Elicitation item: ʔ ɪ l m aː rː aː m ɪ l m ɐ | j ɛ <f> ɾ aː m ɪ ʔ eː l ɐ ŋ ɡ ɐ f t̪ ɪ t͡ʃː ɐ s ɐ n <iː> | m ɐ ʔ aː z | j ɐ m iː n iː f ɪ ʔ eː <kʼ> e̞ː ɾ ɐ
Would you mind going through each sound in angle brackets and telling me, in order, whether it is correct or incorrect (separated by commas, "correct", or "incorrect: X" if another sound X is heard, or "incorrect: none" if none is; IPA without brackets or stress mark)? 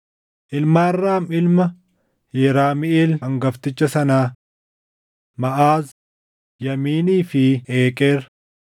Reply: incorrect: none, incorrect: aː, correct